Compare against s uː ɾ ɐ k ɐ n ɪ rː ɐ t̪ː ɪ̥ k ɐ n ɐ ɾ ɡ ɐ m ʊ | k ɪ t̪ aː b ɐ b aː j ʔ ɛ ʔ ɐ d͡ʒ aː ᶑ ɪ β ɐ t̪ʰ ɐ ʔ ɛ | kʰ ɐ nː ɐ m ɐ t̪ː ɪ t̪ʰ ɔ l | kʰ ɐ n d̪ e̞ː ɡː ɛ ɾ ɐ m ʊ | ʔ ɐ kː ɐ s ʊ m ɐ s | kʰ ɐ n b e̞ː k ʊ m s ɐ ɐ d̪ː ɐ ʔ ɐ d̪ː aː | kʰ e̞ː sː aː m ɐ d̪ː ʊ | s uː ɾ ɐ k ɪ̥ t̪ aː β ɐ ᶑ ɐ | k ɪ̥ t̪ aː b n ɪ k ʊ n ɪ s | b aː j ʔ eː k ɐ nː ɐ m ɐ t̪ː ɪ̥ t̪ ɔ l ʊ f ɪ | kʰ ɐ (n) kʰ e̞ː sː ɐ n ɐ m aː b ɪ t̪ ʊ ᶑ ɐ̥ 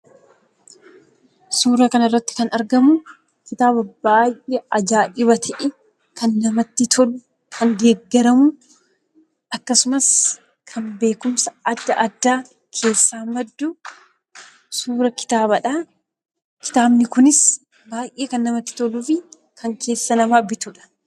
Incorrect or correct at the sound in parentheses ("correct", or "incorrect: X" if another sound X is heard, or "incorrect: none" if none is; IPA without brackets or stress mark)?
incorrect: ŋ